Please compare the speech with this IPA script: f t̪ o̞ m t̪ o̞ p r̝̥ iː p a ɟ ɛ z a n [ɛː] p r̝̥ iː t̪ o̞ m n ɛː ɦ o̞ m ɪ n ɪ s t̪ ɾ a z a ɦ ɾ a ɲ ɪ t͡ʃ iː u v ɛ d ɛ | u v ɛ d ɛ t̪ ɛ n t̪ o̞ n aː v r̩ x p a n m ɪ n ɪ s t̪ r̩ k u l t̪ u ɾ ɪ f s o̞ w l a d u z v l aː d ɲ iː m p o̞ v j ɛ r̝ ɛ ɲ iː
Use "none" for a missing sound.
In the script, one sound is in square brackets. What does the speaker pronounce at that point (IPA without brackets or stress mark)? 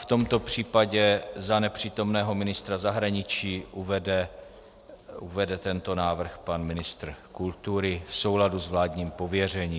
ɛ